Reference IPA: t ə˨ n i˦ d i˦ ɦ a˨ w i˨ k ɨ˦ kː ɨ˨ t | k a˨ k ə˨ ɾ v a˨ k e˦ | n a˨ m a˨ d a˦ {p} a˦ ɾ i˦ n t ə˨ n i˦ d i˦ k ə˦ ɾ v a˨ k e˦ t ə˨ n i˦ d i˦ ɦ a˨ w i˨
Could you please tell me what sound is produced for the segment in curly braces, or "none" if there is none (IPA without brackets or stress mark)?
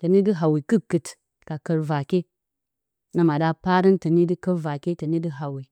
p